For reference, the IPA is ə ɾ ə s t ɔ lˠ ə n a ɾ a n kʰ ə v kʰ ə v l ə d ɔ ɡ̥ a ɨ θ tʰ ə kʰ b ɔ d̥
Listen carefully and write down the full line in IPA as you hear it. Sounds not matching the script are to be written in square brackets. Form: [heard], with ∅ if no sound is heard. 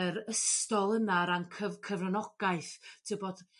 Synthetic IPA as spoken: ə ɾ ə s t ɔ lˠ ə n a ɾ a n kʰ ə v kʰ ə v [r] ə [n] ɔ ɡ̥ a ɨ θ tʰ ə [∅] b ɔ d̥